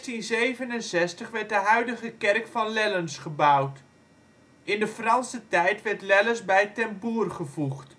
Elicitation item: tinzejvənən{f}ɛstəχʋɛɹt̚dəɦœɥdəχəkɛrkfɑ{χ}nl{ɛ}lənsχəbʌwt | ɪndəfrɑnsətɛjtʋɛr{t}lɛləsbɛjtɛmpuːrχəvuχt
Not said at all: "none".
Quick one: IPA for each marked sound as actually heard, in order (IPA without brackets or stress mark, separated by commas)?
s, none, ɛ, t